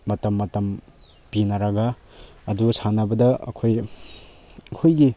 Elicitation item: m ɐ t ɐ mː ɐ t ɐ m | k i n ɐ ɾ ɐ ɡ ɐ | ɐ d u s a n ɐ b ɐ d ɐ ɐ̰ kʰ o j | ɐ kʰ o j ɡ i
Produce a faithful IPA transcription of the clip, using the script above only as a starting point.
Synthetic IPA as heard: m ɐ t ɐ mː ɐ t ɐ m | p i n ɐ ɾ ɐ ɡ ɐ | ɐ d u s a n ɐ b ɐ d ɐ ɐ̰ kʰ o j | ɐ kʰ o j ɡ i